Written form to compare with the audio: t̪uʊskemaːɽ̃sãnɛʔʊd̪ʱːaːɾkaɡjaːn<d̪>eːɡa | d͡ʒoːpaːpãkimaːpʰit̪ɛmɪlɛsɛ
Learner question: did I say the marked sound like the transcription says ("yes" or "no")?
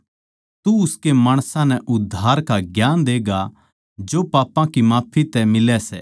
yes